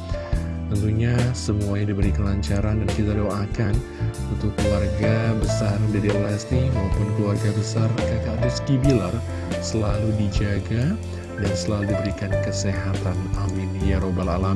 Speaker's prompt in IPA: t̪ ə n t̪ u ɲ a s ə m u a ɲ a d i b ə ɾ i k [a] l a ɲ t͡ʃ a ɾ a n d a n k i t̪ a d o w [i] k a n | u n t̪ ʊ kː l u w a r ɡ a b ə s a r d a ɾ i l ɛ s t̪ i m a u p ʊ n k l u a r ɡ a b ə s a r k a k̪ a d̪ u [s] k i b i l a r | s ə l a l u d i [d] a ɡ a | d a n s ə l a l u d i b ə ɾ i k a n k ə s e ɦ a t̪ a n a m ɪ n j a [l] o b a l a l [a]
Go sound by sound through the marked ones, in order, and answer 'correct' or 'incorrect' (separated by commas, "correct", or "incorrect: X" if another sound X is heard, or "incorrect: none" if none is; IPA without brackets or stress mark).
incorrect: ə, incorrect: a, correct, incorrect: d͡ʒ, incorrect: ɾ, correct